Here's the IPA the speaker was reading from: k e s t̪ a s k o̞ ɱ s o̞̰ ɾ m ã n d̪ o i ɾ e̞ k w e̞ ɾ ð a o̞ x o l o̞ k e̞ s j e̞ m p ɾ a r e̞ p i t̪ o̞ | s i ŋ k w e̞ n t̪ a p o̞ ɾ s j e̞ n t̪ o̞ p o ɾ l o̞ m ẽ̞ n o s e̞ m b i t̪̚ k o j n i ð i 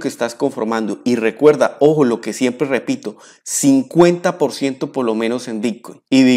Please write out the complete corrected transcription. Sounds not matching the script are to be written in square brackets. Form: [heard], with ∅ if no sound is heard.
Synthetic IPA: k e s t̪ a s k o̞ ɱ [f] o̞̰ ɾ m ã n d̪ o i [r] e̞ k w e̞ ɾ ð a o̞ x o l o̞ k e̞ s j e̞ m p ɾ [e] r e̞ p i t̪ o̞ | s i ŋ k w e̞ n t̪ a p o̞ ɾ s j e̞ n t̪ o̞ p o ɾ l o̞ m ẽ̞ n o s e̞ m b i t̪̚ k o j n i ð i